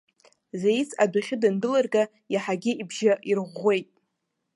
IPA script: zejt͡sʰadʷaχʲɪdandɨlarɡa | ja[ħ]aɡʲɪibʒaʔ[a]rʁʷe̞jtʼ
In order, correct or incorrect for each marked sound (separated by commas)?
correct, incorrect